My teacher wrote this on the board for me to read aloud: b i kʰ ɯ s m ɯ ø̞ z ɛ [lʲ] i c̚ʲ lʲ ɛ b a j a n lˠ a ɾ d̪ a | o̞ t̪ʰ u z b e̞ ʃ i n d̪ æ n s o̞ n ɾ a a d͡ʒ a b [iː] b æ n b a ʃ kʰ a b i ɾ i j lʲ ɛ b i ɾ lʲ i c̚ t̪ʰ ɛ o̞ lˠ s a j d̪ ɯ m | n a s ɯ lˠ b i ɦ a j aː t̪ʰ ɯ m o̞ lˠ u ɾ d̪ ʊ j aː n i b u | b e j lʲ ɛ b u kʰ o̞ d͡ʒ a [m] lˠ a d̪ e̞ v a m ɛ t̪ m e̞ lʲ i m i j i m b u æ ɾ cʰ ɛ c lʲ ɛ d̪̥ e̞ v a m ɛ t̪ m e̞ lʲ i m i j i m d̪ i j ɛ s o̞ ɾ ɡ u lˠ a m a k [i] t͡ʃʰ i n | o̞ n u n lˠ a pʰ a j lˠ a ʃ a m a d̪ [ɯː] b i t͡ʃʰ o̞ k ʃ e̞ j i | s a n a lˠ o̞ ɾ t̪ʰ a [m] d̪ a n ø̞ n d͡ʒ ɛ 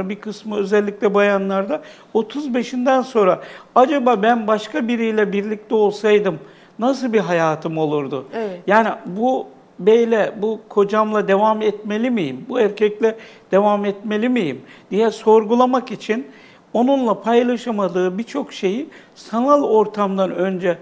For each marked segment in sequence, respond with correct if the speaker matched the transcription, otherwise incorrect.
incorrect: lʲː, incorrect: aː, correct, correct, correct, correct

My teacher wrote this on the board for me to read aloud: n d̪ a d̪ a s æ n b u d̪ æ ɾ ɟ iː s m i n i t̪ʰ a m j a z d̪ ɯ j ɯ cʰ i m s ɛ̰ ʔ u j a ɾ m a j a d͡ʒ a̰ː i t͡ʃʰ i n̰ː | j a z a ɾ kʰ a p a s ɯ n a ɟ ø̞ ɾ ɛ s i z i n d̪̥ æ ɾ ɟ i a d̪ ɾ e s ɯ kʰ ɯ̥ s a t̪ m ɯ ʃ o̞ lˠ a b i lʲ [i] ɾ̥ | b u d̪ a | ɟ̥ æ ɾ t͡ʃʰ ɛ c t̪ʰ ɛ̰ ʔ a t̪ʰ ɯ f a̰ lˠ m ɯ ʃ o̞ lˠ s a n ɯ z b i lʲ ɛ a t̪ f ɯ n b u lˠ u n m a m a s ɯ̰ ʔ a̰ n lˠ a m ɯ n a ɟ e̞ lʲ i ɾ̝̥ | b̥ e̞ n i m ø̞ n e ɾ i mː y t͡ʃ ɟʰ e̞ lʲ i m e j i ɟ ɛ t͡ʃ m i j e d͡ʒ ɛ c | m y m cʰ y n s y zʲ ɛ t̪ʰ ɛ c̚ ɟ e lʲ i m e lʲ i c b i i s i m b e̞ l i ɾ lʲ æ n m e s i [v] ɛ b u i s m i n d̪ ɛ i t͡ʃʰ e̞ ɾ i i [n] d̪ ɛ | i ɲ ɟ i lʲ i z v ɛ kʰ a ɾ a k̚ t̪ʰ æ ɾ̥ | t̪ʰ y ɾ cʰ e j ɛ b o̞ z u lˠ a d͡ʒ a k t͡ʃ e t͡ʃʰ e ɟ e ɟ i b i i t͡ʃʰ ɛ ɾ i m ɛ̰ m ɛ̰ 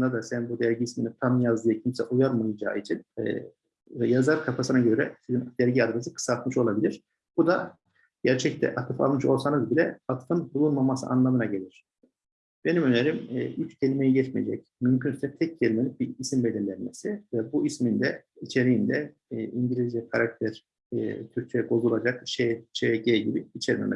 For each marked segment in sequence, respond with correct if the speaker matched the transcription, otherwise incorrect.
correct, correct, correct

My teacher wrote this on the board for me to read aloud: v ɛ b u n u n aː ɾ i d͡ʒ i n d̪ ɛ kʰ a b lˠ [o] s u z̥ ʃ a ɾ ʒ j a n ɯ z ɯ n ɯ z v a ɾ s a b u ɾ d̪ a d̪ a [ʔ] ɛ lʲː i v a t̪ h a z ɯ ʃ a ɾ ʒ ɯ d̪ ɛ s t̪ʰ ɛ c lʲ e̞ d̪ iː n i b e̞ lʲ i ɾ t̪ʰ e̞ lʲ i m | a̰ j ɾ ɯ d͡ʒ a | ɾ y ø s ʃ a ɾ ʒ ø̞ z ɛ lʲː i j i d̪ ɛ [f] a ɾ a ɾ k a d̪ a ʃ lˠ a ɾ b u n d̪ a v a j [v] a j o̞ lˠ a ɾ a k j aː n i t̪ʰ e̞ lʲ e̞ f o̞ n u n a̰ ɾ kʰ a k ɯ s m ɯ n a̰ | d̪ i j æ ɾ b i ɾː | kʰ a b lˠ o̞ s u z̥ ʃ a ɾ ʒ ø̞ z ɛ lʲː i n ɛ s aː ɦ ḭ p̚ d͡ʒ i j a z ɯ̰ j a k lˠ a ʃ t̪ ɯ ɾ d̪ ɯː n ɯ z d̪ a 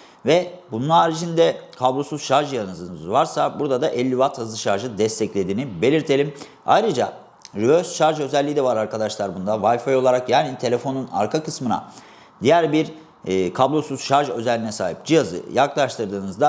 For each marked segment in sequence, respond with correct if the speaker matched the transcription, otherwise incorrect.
correct, correct, incorrect: v, incorrect: f

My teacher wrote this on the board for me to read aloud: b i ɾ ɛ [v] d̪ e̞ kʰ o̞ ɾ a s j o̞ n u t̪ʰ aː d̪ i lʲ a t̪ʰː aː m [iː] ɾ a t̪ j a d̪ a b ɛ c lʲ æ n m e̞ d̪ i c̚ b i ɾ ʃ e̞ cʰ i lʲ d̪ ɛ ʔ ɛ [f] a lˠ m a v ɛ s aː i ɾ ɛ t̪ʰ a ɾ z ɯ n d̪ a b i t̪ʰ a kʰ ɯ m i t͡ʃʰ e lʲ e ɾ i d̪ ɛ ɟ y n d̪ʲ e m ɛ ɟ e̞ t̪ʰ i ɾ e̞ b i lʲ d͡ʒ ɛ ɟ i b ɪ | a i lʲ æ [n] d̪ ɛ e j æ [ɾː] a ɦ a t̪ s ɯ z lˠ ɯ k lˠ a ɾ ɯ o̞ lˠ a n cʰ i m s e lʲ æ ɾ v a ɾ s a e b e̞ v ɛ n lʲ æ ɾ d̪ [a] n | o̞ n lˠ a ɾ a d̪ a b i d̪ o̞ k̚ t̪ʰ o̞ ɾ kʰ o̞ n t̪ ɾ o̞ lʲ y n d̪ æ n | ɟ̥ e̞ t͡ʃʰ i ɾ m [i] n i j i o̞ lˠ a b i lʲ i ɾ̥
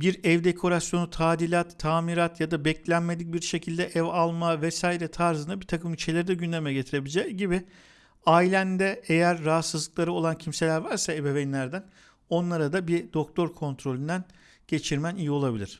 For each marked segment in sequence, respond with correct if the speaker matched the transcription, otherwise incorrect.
correct, incorrect: i, incorrect: v, correct, correct, incorrect: æ, incorrect: æ

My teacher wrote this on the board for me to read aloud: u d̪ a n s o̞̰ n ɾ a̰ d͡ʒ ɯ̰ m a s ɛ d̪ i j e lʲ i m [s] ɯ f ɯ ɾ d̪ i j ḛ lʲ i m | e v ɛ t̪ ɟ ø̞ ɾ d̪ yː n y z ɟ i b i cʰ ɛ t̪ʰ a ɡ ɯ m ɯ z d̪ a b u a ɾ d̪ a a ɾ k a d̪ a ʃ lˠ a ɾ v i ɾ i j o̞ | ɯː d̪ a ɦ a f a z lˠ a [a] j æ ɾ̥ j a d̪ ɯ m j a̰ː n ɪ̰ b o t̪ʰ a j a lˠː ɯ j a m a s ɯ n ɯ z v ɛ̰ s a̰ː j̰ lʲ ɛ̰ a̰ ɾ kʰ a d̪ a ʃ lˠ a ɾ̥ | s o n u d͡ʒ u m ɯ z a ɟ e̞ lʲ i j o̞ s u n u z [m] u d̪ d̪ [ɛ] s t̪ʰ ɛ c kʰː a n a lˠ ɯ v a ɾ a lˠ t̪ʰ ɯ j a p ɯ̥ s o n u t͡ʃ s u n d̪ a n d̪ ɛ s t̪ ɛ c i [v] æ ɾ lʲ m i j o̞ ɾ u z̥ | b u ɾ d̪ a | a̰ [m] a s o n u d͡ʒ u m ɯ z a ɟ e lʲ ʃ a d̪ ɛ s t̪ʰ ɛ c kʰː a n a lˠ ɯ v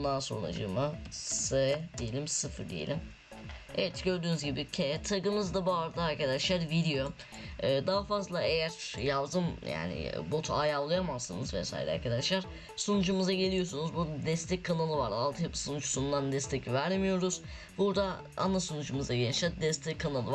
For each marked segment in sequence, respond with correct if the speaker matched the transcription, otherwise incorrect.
correct, incorrect: e, incorrect: b, correct, correct, incorrect: n

